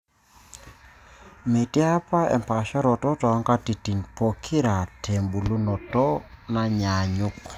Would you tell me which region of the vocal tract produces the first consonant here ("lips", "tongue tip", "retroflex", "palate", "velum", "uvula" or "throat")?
lips